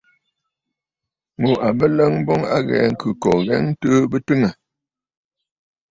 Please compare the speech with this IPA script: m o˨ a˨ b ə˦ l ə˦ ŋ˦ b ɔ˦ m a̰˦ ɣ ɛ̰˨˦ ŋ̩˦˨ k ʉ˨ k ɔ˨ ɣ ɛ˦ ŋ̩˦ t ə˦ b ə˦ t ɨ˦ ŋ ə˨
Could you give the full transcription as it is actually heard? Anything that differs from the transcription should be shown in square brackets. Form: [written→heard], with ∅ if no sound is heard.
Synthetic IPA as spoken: m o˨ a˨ b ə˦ l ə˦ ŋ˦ b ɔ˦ [m→ŋ] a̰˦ ɣ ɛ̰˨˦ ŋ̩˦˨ k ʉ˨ k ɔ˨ ɣ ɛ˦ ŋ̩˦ t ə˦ b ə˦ t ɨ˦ ŋ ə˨